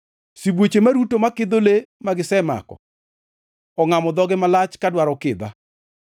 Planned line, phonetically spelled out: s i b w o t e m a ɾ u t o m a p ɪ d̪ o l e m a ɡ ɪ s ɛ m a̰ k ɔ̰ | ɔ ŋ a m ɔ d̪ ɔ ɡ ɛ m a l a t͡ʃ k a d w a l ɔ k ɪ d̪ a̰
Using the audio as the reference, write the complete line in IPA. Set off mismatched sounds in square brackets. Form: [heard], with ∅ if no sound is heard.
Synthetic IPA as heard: s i b w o [t͡ʃ] e m a ɾ u t o m a [k] ɪ d̪ o l e m a ɡ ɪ s ɛ m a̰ k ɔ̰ | ɔ ŋ a m ɔ d̪ ɔ ɡ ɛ m a l a t͡ʃ k a d w a [ɾ] ɔ k ɪ d̪ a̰